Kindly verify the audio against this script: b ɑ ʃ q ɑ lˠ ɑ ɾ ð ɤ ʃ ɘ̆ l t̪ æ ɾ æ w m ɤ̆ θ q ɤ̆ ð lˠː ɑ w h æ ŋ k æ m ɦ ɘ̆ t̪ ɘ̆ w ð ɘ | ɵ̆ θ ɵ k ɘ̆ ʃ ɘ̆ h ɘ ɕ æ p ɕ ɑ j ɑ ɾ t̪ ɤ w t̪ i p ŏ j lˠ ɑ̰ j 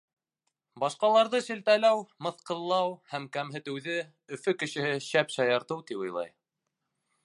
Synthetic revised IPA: b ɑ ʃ q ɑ lˠ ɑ ɾ ð ɤ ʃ ɘ̆ l t̪ æ l æ w m ɤ̆ θ q ɤ̆ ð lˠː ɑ w h æ m k æ m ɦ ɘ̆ t̪ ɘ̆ w ð ɘ | ɵ̆ f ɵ k ɘ̆ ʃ ɘ̆ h ɘ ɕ æ p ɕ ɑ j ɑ ɾ t̪ ɤ w t̪ i p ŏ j lˠ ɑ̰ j